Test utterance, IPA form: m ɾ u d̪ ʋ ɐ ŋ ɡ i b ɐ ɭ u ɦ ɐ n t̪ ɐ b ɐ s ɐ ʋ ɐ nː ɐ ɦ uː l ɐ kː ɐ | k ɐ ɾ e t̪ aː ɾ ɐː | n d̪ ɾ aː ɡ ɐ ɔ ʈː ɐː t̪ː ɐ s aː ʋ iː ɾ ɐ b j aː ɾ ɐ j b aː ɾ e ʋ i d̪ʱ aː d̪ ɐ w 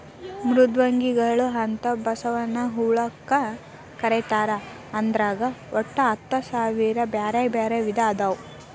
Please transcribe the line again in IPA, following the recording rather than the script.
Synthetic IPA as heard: m ɾ u d̪ ʋ ɐ ŋ ɡ i ɡ ɐ ɭ u ɦ ɐ n t̪ ɐ b ɐ s ɐ ʋ ɐ nː ɐ ɦ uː ɭ ɐ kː ɐ | k ɐ ɾ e t̪ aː ɾ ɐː | n d̪ ɾ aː ɡ ɐ ɔ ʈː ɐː t̪ː ɐ s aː ʋ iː ɾ ɐ b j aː ɾ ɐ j b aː ɾ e ʋ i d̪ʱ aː d̪ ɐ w